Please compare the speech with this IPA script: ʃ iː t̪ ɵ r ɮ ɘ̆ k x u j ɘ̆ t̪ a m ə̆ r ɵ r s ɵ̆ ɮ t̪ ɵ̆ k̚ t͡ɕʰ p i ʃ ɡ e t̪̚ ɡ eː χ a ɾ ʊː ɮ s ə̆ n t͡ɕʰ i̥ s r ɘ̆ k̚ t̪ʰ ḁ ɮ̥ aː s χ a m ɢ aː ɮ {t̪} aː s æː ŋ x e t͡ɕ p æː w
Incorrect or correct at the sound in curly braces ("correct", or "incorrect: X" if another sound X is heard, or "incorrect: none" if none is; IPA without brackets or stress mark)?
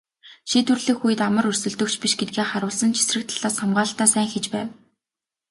correct